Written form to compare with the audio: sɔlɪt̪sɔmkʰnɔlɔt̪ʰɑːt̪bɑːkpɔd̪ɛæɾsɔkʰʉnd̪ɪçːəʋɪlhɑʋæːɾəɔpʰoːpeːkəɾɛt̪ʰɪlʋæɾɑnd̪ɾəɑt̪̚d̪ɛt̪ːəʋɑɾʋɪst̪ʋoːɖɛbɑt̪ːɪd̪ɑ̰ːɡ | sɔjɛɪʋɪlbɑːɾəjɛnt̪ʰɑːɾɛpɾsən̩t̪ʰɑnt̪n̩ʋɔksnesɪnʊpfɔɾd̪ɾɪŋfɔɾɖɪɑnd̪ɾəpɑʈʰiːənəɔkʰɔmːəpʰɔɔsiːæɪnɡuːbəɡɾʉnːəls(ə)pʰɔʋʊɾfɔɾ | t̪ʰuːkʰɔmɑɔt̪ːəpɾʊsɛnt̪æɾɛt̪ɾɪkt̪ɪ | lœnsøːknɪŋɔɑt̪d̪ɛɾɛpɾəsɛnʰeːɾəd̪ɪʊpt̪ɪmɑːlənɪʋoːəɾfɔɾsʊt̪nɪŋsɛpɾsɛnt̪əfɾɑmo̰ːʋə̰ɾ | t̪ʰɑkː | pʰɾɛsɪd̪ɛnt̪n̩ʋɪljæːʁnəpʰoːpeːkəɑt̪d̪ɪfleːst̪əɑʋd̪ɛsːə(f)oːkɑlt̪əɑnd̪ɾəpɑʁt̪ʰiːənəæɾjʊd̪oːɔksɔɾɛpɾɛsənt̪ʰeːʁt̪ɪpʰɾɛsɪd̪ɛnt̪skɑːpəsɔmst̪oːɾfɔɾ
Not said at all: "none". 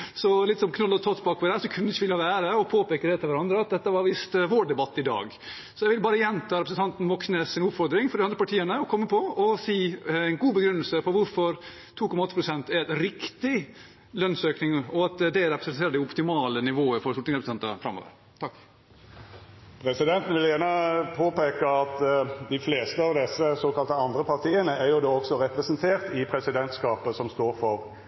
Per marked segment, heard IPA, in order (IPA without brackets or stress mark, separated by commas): ə, s